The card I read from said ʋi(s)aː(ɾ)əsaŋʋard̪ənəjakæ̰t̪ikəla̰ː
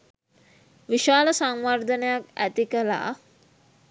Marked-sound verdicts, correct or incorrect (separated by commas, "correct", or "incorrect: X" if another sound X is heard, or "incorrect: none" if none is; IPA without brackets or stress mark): incorrect: ʃ, incorrect: l